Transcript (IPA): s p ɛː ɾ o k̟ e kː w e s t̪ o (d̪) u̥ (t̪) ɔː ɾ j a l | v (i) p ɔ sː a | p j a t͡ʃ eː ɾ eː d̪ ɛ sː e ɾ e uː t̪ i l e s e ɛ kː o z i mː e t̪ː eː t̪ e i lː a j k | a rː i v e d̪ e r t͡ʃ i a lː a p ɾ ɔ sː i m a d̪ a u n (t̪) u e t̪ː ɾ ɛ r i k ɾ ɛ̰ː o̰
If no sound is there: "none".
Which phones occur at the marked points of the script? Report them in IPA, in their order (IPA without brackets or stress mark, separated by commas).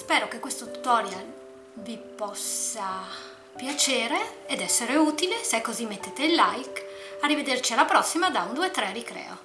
t̪, t̪, i, d̪